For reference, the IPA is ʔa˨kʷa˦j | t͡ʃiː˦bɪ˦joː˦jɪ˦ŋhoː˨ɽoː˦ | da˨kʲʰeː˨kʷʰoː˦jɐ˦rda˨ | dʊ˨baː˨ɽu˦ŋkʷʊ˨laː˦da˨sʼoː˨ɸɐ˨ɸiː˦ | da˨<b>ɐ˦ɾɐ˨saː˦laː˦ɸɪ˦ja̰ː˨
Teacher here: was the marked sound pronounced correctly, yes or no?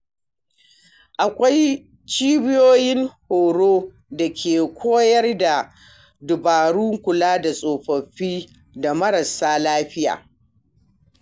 no